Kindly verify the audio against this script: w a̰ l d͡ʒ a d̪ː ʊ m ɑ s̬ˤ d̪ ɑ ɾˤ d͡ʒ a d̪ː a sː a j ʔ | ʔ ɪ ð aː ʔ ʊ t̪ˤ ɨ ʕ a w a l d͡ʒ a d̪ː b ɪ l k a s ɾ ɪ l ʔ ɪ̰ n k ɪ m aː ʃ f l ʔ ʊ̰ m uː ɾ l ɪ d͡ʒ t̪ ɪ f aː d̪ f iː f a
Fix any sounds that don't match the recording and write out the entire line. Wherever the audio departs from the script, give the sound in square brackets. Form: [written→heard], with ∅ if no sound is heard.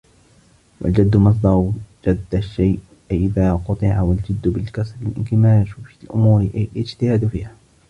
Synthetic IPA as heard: w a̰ l d͡ʒ a d̪ː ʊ m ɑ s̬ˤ d̪ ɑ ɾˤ d͡ʒ a d̪ː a [sː→ʃː] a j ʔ | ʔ ɪ ð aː [ʔ→q] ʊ t̪ˤ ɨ ʕ a w a l d͡ʒ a d̪ː b ɪ l k a s ɾ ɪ l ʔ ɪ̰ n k ɪ m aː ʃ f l ʔ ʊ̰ m uː ɾ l ɪ d͡ʒ t̪ ɪ [f→h] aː d̪ f iː [f→h] a